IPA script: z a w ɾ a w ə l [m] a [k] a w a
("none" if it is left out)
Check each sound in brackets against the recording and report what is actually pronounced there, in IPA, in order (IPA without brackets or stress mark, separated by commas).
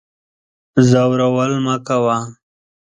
m, k